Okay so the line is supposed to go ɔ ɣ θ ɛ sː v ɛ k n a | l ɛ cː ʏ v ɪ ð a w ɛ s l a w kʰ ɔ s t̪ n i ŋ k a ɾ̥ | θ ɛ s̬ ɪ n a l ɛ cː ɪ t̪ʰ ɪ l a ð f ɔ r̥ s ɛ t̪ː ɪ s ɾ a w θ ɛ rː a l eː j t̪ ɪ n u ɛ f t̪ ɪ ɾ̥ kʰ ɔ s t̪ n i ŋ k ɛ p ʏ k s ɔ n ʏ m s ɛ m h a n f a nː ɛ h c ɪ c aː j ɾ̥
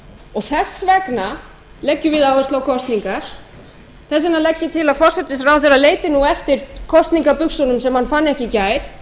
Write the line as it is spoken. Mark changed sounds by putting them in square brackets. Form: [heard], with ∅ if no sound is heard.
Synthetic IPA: ɔ ɣ θ ɛ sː v ɛ k n a | l ɛ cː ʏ v ɪ ð a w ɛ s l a w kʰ ɔ s t̪ n i ŋ k a ɾ̥ | θ ɛ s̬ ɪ n a l ɛ cː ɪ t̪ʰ ɪ l a ð f ɔ r̥ s ɛ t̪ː ɪ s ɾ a w θ ɛ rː a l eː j t̪ ɪ n u ɛ f t̪ ɪ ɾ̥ kʰ ɔ s t̪ n i ŋ k [a] p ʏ k s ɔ n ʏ m s ɛ m h a n f a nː ɛ h c ɪ c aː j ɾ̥